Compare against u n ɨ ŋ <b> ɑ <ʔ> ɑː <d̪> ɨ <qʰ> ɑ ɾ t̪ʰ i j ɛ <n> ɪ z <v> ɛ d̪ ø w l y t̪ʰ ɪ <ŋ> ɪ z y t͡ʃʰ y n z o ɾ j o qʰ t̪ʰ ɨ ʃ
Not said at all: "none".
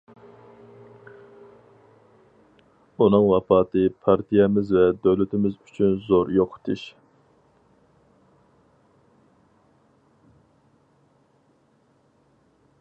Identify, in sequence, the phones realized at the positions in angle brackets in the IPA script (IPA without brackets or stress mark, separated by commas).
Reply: w, p, t̪, pʰ, m, v, m